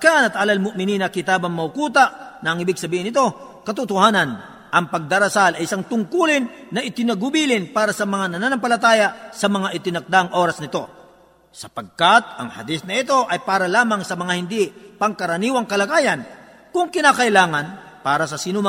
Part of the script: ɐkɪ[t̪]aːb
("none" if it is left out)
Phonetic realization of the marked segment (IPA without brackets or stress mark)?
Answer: t̪